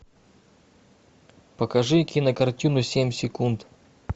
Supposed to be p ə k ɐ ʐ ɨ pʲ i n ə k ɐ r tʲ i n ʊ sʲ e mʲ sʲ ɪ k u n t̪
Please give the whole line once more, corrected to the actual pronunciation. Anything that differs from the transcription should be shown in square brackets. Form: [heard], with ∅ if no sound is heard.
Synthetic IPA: p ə k ɐ ʐ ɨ [kʲ] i n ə k ɐ r tʲ i n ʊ sʲ e mʲ sʲ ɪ k u n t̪